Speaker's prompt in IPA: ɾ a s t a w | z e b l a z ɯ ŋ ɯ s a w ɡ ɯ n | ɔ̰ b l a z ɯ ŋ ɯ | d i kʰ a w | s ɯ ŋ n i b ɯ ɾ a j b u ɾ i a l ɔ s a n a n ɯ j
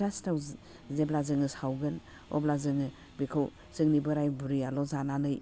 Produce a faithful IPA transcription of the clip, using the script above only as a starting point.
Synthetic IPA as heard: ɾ a s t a w | z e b l a z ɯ ŋ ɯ s a w ɡ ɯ n | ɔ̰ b l a z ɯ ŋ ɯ | b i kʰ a w | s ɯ ŋ n i b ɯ ɾ a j b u ɾ i a l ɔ z a n a n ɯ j